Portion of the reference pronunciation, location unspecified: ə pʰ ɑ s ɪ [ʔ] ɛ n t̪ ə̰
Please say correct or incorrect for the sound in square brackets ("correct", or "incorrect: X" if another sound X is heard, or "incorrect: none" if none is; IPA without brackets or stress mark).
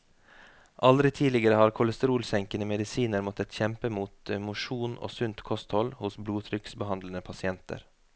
incorrect: none